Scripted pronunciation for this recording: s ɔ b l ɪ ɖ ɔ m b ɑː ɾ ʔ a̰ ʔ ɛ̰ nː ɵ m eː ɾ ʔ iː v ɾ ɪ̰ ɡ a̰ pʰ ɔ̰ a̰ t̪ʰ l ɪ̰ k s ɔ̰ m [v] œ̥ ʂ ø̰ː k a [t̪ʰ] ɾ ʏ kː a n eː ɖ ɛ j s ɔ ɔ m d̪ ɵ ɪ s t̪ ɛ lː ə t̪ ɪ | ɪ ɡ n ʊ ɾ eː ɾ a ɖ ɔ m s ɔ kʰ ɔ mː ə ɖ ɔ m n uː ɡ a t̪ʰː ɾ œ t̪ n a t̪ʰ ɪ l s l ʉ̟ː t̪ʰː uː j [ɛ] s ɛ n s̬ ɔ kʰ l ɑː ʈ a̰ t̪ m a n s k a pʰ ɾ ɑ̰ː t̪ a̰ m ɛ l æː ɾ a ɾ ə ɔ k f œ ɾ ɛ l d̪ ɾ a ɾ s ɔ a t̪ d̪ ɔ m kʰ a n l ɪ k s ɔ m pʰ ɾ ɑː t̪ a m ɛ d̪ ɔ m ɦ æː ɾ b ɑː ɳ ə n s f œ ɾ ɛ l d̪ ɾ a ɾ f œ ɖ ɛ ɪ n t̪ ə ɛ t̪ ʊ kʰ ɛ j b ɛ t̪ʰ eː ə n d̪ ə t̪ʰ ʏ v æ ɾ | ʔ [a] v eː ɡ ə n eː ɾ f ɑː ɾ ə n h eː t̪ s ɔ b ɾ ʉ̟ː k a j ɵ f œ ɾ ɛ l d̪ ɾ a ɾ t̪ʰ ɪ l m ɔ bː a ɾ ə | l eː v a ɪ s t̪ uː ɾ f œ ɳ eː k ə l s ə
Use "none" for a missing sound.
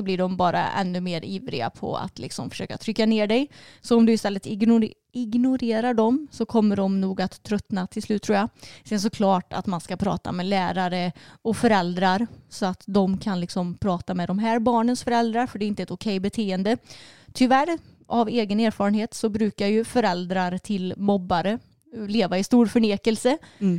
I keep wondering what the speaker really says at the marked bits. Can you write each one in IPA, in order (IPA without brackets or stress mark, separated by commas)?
f, t̪ʰ, a, a